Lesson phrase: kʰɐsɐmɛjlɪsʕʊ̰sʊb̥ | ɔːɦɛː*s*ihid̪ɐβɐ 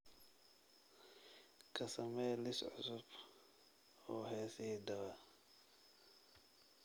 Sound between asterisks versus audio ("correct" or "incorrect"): correct